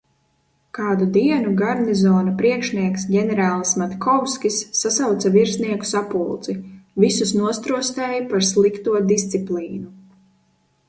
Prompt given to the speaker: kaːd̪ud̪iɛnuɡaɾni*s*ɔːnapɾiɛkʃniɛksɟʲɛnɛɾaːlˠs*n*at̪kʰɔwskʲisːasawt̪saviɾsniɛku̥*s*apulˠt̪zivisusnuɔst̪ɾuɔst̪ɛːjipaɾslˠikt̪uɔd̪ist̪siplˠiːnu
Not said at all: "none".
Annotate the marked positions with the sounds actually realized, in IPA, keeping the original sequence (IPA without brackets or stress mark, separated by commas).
z, m, s